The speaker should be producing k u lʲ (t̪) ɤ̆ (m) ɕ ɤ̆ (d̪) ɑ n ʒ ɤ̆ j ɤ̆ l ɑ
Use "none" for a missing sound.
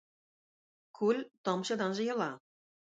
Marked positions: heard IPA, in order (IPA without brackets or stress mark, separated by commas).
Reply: t̪, m, d̪